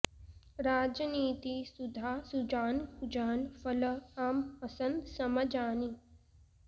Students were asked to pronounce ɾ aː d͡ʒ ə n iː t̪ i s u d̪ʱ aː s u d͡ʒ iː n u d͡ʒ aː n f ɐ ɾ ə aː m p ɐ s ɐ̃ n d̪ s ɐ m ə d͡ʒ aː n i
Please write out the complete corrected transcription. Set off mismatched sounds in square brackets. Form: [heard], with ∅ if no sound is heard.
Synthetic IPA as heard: ɾ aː d͡ʒ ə n iː t̪ i s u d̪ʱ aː s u d͡ʒ [aː] n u d͡ʒ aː n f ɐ [l] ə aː m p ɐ s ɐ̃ n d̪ s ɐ m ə d͡ʒ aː n i